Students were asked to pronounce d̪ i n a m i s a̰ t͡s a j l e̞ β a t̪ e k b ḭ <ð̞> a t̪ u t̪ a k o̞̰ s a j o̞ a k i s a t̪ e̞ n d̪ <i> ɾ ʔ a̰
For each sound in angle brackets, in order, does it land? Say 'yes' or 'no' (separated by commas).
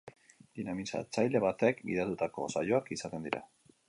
yes, yes